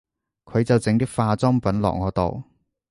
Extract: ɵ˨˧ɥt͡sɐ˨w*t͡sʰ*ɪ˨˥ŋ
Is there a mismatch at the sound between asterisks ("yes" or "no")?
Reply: yes